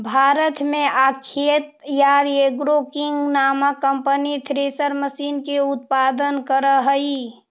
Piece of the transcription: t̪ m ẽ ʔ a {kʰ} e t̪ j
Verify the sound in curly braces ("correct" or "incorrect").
correct